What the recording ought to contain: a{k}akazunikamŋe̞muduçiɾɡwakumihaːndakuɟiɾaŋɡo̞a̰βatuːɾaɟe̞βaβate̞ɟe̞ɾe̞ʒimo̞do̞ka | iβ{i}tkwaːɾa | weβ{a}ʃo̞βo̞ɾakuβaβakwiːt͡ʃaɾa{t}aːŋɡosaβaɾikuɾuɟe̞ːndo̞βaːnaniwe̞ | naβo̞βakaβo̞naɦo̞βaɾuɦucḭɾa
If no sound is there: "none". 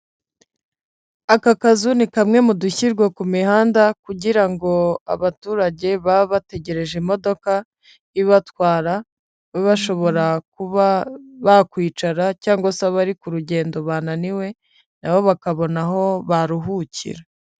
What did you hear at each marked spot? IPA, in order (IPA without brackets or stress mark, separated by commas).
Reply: k, a, a, c